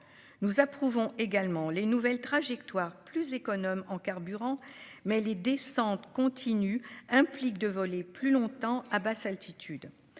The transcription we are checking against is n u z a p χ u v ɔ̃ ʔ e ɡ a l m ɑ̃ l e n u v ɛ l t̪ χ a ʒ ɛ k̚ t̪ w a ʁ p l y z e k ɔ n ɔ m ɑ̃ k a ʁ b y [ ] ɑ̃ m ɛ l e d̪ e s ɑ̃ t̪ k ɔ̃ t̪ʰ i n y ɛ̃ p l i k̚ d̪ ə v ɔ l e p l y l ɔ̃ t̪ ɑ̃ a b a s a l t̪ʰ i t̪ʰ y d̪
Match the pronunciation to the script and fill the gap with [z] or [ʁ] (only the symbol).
ʁ